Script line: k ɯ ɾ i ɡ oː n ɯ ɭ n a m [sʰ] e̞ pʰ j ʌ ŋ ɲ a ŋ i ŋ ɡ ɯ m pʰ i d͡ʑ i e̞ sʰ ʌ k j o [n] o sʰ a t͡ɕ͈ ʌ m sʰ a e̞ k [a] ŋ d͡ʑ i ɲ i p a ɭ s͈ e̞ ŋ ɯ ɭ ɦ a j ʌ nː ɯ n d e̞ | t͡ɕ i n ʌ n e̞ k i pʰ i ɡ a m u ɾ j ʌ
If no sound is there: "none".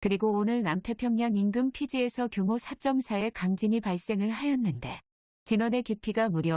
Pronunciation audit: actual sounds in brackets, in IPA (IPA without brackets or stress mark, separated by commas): tʰ, m, a